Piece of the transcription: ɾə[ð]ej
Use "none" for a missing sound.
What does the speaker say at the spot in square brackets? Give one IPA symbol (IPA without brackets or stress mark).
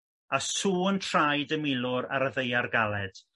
ð